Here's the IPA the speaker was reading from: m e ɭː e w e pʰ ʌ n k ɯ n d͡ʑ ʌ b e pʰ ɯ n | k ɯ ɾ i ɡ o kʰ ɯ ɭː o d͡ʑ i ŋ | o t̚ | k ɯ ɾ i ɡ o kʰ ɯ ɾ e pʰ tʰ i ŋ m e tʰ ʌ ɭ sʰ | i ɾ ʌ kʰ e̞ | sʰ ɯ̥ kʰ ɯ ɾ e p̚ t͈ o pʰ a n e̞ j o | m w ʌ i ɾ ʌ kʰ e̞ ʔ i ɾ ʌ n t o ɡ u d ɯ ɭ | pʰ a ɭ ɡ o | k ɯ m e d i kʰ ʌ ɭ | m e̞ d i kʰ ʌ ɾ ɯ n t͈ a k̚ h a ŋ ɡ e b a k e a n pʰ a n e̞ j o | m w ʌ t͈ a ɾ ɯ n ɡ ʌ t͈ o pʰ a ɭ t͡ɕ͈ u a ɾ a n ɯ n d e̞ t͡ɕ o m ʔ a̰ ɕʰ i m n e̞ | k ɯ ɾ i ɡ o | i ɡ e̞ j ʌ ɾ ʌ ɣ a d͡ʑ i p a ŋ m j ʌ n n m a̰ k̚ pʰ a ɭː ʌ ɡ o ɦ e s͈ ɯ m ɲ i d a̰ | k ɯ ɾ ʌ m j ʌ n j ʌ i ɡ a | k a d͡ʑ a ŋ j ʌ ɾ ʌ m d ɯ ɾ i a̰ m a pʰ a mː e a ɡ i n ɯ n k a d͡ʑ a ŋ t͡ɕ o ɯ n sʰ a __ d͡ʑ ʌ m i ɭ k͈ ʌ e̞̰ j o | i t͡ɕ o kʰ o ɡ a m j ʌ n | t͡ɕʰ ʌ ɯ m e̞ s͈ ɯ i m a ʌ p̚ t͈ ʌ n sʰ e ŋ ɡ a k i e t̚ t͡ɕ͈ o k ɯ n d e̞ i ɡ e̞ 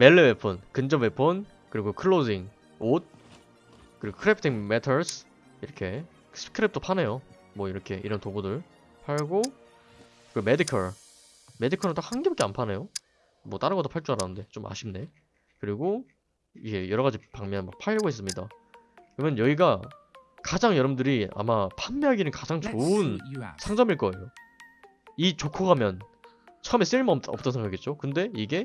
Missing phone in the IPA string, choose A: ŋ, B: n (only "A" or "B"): A